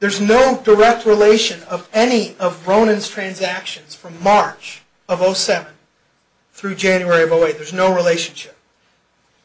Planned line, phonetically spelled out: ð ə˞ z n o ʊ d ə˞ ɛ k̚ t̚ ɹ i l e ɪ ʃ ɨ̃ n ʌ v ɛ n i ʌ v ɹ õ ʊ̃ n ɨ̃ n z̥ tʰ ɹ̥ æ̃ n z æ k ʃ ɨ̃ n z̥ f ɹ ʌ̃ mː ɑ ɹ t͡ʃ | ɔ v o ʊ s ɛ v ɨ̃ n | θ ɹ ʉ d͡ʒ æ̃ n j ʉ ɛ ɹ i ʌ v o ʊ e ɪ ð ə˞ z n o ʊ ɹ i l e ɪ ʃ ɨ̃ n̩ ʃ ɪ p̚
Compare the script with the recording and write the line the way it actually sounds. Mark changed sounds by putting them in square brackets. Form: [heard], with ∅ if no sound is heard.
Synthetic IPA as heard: ð ə˞ z n o ʊ d ə˞ ɛ k̚ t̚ ɹ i l e ɪ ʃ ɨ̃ n ʌ v ɛ n i ʌ v ɹ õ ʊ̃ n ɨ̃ n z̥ tʰ ɹ̥ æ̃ n z æ k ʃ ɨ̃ n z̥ f ɹ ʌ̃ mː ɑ ɹ t͡ʃ | [ʌ] v o ʊ s ɛ v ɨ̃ n | θ ɹ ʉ d͡ʒ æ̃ n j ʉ ɛ ɹ i ʌ v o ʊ e ɪ ð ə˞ z n o ʊ ɹ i l e ɪ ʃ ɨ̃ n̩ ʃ ɪ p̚